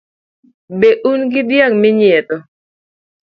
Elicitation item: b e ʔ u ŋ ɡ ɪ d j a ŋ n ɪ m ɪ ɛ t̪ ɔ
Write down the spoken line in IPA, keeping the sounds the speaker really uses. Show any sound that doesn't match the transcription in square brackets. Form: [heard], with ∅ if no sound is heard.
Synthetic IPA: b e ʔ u [n] ɡ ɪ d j a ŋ [m] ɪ [ɲ] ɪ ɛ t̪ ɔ